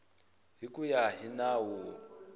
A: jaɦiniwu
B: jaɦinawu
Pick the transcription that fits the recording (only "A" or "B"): B